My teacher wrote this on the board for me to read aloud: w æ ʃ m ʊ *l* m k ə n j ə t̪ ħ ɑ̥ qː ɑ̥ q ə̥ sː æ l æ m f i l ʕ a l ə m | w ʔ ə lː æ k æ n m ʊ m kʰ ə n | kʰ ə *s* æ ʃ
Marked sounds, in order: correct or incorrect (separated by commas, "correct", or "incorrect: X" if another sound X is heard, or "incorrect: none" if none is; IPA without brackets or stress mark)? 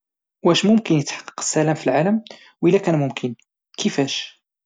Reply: incorrect: none, incorrect: f